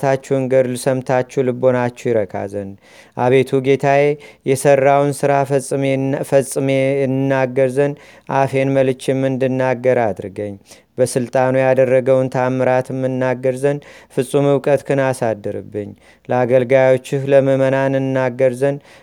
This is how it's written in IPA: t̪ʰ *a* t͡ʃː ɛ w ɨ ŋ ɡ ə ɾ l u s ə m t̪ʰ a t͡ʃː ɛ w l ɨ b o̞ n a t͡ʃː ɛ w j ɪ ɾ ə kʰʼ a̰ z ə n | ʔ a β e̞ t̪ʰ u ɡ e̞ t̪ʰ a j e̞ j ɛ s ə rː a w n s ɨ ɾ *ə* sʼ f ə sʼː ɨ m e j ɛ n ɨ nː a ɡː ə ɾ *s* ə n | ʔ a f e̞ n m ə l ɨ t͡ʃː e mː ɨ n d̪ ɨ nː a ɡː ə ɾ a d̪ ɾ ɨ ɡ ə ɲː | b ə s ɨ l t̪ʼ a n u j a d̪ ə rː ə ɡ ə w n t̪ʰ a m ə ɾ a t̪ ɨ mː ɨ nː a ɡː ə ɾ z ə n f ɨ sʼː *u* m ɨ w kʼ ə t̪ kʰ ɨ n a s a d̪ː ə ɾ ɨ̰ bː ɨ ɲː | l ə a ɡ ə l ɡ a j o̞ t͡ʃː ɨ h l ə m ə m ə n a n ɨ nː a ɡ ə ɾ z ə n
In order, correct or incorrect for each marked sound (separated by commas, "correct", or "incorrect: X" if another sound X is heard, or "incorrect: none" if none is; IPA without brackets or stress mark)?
correct, incorrect: a, incorrect: z, correct